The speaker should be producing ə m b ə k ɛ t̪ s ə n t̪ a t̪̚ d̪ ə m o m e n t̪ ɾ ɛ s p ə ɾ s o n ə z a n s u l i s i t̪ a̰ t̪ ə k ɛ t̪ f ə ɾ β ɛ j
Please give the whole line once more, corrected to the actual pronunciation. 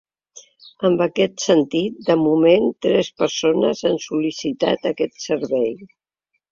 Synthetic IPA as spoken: ə m b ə k ɛ t̪ s ə n t̪ i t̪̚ d̪ ə m u m e n t̪ ɾ ɛ s p ə ɾ s o n ə z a n s u l i s i t̪ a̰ t̪ ə k ɛ t̪ s ə ɾ β ɛ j

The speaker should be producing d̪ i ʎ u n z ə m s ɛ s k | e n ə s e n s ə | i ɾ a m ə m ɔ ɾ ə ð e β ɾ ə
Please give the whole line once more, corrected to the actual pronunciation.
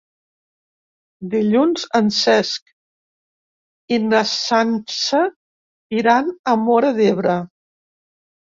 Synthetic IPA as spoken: d̪ i ʎ u n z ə n s ɛ s k | i n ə s a n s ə | i ɾ a n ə m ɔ ɾ ə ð e β ɾ ə

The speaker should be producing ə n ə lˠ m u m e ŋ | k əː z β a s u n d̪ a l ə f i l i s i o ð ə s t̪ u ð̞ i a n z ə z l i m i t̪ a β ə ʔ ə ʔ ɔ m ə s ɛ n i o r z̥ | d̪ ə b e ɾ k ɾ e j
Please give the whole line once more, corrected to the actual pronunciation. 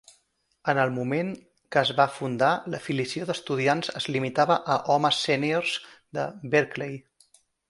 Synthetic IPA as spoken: ə n ə lˠ m u m e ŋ | k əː z β a f u n d̪ a l ə f i l i s i o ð ə s t̪ u ð̞ i a n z ə z l i m i t̪ a β ə ʔ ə ʔ ɔ m ə s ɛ n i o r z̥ | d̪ ə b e ɾ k l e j

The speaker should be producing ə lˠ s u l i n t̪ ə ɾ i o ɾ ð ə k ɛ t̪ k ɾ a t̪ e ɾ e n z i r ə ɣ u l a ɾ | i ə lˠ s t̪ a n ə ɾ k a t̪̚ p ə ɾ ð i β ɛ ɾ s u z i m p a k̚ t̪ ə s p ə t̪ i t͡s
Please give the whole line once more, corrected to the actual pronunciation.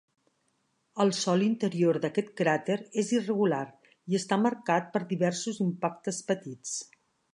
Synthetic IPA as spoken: ə lˠ s ɔ l i n t̪ ə ɾ i o ɾ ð ə k ɛ t̪ k ɾ a t̪ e ɾ e z i r ə ɣ u l a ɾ | i ə s t̪ a m ə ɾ k a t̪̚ p ə ɾ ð i β ɛ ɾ s u z i m p a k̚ t̪ ə s p ə t̪ i t͡s

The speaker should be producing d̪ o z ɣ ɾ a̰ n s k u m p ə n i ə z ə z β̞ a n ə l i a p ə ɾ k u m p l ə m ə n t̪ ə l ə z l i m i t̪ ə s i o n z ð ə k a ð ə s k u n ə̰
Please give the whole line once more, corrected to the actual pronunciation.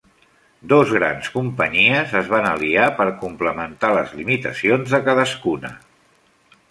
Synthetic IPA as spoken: d̪ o z ɣ ɾ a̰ n s k u m p ə ɲ i ə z ə z β̞ a n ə l i a p ə ɾ k u m p l ə m ə n t̪ a l ə z l i m i t̪ ə s i o n z ð ə k a ð ə s k u n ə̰

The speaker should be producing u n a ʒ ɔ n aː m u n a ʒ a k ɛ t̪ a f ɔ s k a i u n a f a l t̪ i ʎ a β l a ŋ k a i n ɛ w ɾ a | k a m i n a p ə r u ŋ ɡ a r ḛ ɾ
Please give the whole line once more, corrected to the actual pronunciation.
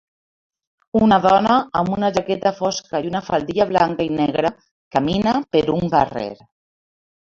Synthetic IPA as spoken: u n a ð ɔ n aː m u n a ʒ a k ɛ t̪ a f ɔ s k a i u n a f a l d̪ i ʎ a β l a ŋ k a i n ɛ ɣ ɾ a | k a m i n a p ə ɾ u ŋ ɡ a r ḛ ɾ

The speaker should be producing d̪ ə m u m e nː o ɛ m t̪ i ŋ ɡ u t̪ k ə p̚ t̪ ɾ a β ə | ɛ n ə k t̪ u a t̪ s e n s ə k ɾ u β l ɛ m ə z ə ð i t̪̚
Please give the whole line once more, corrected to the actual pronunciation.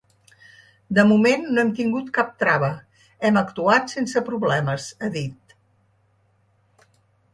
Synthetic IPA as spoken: d̪ ə m u m e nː o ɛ m t̪ i ŋ ɡ u t̪ k a p̚ t̪ ɾ a β ə | ɛ m ə k t̪ u a t̪ s e n s ə p ɾ u β l ɛ m ə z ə ð i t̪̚

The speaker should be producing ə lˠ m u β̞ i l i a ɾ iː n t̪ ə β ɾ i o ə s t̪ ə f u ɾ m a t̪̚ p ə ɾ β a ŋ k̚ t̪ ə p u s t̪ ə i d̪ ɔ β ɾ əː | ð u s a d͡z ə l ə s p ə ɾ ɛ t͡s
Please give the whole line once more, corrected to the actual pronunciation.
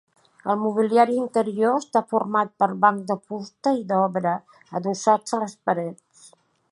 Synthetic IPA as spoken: ə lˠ m u β̞ i l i a ɾ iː n t̪ ə ɾ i o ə s t̪ a f u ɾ m a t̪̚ p ə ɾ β a ŋ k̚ d̪ ə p u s t̪ ə i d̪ ɔ β ɾ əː | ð u s a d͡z ə l ə s p ə ɾ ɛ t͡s

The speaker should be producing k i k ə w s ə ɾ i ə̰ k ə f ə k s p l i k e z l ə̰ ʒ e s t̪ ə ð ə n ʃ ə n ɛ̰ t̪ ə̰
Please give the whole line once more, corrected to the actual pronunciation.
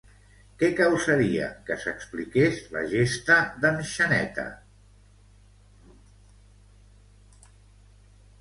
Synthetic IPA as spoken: k ɛ k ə w s ə ɾ i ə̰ k ə s ə k s p l i k e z l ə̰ ʒ e s t̪ ə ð ə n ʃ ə n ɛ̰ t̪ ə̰

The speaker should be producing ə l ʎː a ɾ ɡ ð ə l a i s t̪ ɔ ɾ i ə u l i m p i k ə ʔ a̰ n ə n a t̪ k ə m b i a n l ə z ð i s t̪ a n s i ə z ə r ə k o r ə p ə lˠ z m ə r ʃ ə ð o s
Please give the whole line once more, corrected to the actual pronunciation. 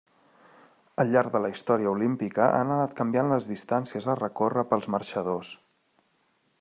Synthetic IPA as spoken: ə l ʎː a ɾ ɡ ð ə l ə i s t̪ ɔ ɾ i ə u l i m p i k ə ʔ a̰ n ə n a t̪ k ə m b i a n l ə z ð i s t̪ a n s i ə z ə r ə k o r ə p ə lˠ z m ə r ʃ ə ð o s

